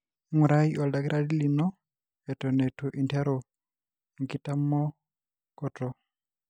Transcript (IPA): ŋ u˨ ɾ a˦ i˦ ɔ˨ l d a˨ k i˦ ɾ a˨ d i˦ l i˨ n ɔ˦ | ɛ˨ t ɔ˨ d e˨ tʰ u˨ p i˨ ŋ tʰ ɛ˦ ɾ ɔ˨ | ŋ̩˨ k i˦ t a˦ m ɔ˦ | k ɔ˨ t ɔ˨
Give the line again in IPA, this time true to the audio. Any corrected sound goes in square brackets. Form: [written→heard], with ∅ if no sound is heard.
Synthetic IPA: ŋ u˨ ɾ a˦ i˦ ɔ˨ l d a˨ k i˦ ɾ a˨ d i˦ l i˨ n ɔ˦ | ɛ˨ t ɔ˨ [d→n] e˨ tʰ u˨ [p→ʔ] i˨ [ŋ→n] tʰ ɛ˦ ɾ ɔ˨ | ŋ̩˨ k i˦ t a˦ m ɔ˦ | k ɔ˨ t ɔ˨